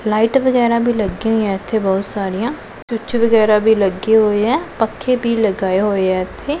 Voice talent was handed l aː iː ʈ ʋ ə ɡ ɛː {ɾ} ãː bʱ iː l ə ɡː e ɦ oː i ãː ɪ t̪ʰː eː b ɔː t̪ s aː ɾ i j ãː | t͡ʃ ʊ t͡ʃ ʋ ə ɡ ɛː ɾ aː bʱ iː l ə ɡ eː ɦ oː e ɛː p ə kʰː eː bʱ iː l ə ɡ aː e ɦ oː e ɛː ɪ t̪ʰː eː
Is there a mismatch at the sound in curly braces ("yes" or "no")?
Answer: no